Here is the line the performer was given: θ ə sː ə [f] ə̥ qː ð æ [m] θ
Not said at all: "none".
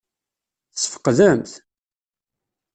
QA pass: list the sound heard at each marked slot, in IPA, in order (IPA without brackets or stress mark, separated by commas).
f, m